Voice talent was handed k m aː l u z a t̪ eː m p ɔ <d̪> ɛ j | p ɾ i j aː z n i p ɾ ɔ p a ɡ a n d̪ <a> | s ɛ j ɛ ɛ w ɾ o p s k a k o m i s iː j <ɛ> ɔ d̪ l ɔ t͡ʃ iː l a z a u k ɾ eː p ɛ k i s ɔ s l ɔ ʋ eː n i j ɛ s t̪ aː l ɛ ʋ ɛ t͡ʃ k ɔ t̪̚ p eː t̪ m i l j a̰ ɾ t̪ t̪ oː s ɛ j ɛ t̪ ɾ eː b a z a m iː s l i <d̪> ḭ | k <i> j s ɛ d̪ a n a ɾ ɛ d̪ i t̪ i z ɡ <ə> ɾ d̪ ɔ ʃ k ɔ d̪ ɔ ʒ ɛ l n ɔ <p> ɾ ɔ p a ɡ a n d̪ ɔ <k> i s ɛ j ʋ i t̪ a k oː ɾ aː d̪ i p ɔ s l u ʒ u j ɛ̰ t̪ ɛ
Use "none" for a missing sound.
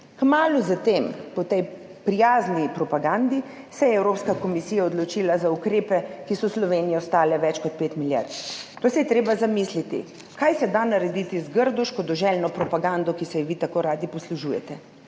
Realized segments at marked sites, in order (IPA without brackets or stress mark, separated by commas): t̪, i, a, t̪, a, ə, p, k